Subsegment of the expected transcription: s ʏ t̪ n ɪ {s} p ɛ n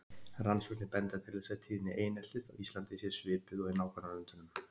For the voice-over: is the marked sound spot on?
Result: no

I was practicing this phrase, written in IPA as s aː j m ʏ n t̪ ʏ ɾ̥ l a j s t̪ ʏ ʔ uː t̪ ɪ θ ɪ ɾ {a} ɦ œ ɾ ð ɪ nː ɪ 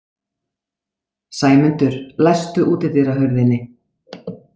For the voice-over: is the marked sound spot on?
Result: yes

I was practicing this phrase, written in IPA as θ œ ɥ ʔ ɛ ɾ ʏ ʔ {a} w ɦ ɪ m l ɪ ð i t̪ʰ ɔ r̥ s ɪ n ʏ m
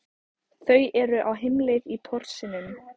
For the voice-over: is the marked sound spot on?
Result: yes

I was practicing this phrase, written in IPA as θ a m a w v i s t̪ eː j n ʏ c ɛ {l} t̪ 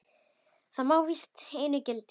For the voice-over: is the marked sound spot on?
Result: yes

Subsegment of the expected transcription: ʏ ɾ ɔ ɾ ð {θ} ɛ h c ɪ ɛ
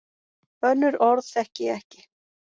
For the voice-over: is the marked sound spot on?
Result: yes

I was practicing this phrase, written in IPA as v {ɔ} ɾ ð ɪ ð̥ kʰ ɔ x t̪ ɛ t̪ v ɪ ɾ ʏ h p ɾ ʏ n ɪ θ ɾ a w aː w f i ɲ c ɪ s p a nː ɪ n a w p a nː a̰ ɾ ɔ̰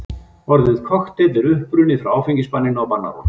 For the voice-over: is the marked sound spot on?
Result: yes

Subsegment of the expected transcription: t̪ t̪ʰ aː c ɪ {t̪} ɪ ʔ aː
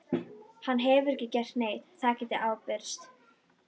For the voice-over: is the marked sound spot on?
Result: yes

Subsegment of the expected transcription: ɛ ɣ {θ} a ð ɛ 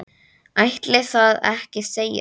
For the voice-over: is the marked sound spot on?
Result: yes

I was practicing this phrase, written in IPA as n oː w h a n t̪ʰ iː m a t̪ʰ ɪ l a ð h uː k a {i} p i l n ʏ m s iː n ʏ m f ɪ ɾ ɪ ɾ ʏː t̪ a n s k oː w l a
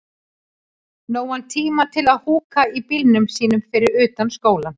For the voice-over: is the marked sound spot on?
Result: yes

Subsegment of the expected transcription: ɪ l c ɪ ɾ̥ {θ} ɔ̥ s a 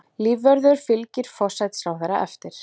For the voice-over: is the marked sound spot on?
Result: no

